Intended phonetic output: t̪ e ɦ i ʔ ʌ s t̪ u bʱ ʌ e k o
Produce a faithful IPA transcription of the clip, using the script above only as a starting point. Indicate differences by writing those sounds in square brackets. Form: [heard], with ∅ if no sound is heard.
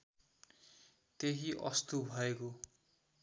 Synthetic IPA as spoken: t̪ e ɦ i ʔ ʌ s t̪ u bʱ ʌ e k o

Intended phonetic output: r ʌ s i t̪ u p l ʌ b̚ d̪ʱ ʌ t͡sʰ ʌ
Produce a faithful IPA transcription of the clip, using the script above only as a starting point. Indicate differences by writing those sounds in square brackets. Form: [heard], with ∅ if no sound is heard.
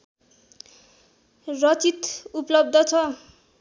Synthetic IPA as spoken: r ʌ [t͡s] i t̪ u p l ʌ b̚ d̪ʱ ʌ t͡sʰ ʌ

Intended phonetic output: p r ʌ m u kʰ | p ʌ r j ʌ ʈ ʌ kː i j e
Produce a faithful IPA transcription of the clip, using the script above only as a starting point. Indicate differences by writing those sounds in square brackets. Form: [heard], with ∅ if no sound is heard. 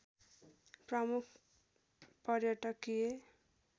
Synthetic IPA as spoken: p r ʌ m u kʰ | p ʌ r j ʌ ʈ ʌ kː i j e

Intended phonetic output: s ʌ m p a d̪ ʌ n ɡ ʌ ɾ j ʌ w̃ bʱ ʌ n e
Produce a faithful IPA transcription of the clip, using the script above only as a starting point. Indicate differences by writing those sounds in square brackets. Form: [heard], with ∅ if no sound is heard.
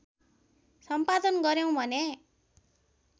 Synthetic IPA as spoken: s ʌ m p a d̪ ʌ n ɡ ʌ ɾ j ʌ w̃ bʱ ʌ n e

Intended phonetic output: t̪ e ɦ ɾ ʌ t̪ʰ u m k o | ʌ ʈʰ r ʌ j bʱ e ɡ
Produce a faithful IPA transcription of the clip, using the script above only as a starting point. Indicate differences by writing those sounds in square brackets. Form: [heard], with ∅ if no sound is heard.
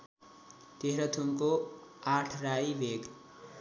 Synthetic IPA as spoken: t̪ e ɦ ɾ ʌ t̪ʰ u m k o | [a] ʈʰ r [a] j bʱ e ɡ

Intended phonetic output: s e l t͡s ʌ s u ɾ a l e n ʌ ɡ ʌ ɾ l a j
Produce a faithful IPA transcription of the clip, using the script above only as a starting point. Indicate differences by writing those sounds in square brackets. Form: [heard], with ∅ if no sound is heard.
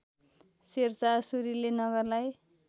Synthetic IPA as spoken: s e [r] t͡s [a] s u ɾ [i] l e n ʌ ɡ ʌ [r] l a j

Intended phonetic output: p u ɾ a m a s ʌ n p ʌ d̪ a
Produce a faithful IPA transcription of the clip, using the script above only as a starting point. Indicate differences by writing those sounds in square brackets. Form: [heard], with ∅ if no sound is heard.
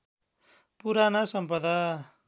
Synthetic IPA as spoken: p u ɾ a [n] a s ʌ [m] p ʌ d̪ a

